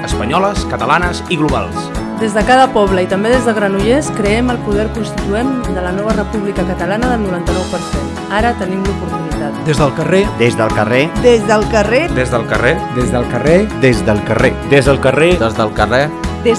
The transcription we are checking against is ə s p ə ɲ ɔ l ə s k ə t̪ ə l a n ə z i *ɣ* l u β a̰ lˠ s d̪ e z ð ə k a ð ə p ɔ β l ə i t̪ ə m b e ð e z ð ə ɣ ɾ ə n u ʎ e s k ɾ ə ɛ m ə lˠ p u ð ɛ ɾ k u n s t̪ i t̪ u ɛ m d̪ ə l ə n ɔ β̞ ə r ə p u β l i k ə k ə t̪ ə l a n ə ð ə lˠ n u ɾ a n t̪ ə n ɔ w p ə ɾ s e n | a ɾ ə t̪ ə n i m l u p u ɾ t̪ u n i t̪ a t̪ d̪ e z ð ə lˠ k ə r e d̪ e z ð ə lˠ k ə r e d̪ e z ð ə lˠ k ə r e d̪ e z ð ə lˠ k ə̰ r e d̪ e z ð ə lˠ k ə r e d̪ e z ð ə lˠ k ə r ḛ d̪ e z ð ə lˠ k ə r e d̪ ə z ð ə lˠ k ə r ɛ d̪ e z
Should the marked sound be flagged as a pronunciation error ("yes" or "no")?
no